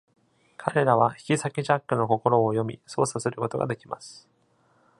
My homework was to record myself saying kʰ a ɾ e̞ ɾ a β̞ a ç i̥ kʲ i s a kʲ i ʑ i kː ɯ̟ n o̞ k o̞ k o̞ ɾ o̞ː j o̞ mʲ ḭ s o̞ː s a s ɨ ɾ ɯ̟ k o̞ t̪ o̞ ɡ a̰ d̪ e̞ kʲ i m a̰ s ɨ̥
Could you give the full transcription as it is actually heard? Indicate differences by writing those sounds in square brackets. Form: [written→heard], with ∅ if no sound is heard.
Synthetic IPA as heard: kʰ a ɾ e̞ ɾ a β̞ a ç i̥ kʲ i s a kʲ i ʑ [i→a] kː ɯ̟ n o̞ k o̞ k o̞ ɾ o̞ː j o̞ mʲ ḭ s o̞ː s a s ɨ ɾ ɯ̟ k o̞ t̪ o̞ ɡ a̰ d̪ e̞ kʲ i m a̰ s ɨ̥